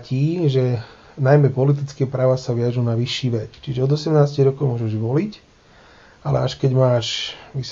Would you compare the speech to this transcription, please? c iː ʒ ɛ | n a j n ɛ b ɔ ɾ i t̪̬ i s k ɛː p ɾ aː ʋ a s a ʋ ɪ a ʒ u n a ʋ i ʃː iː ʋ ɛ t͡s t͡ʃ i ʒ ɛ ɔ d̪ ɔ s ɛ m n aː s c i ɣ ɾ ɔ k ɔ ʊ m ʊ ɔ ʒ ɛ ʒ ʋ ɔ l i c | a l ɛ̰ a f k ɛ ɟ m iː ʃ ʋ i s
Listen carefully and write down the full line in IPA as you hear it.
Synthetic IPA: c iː ʒ ɛ | n a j m ɛ p ɔ l i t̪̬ i t͡s k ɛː p ɾ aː ʋ a s a ʋ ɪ a ʒ u n a ʋ i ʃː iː ʋ ɛ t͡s t͡ʃ i ʒ ɛ ɔ d̪ ɔ s ɛ m n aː s c i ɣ ɾ ɔ k ɔ ʊ m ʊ ɔ ʒ ɛ ʒ ʋ ɔ l i c | a l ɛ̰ a ʃ k ɛ ɟ m aː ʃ ʋ i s